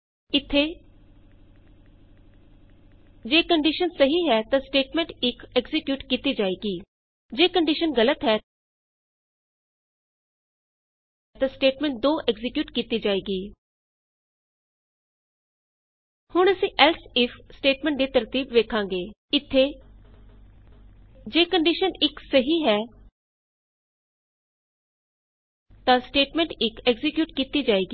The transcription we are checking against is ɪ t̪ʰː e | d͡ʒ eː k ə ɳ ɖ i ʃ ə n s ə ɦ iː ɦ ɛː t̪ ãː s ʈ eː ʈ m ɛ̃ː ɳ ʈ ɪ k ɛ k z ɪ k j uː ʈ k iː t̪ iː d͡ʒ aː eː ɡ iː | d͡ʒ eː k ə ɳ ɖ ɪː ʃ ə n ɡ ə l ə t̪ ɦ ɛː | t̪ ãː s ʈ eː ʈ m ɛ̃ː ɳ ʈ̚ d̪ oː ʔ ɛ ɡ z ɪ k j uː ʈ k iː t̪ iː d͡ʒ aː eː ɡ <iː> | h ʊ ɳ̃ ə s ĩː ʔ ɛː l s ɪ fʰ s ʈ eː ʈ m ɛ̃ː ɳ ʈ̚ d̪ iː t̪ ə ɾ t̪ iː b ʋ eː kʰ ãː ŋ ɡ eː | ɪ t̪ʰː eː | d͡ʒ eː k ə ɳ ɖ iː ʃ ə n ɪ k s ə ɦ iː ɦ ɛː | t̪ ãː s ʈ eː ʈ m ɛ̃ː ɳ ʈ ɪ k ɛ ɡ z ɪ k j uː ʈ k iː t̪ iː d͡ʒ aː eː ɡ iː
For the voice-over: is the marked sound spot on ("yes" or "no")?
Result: yes